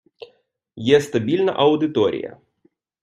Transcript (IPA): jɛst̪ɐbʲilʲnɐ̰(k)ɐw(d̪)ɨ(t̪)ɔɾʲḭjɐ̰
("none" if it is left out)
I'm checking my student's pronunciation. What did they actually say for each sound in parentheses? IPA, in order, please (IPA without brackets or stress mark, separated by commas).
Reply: ʔ, d̪, t̪